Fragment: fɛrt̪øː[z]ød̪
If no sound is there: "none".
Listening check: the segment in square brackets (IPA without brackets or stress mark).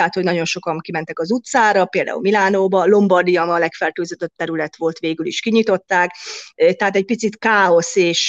z